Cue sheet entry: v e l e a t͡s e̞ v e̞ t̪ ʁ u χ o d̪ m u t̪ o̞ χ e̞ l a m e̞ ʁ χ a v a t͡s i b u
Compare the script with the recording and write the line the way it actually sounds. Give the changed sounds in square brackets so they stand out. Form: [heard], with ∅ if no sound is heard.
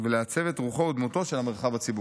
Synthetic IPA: v e l e a t͡s e̞ v e̞ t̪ ʁ u χ o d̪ m u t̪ o̞ [ʃ] e̞ l a m e̞ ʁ χ a v a t͡s i b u